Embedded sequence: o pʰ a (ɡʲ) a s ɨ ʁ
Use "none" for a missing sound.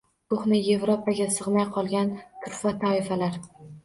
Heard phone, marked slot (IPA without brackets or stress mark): ɡʲ